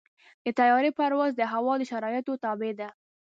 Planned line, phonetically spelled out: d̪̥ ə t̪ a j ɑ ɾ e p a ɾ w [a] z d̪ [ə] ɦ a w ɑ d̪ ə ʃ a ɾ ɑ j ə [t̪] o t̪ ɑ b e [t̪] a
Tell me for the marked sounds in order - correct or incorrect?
correct, correct, correct, incorrect: d̪

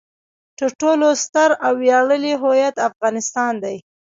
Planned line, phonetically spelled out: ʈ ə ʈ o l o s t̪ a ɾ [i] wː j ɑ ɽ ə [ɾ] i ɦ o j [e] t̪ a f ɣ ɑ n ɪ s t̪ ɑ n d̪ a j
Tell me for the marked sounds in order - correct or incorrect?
incorrect: a, incorrect: l, incorrect: a

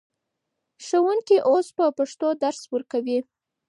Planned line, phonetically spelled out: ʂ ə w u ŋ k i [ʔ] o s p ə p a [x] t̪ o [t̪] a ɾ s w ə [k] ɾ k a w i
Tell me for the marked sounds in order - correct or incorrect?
correct, incorrect: ʂ, incorrect: d̪, incorrect: none

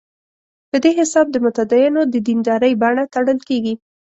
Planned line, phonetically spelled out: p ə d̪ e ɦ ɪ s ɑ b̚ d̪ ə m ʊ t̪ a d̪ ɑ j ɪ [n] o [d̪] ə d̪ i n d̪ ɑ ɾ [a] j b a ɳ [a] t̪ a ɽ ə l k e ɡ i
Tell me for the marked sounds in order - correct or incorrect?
correct, correct, incorrect: ə, correct

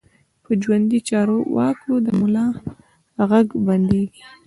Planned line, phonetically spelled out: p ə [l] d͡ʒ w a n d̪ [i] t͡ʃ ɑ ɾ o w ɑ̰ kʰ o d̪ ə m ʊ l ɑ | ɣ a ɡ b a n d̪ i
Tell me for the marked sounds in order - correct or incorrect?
incorrect: none, correct

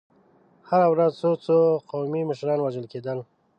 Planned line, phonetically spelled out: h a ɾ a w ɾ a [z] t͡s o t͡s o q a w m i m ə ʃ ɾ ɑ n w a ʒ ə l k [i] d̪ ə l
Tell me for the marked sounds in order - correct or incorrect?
correct, incorrect: e

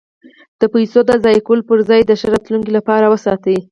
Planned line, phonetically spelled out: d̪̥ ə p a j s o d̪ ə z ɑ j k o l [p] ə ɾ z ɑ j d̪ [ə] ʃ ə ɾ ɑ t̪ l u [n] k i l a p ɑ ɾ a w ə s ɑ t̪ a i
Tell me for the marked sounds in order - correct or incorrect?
correct, correct, incorrect: ŋ

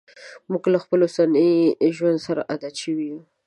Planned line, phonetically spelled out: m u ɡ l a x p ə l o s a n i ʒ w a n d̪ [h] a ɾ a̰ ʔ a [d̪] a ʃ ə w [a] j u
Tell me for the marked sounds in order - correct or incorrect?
incorrect: s, correct, incorrect: i

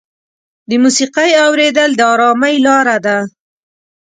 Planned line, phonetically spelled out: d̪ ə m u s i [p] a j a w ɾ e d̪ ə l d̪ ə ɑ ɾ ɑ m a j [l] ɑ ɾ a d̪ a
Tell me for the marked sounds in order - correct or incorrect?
incorrect: q, correct

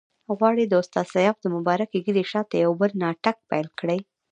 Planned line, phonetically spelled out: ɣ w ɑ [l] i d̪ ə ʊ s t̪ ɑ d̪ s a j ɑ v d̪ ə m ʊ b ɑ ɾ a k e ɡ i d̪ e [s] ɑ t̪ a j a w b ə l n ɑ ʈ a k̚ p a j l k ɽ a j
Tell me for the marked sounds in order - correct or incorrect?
incorrect: ɽ, incorrect: ʃ

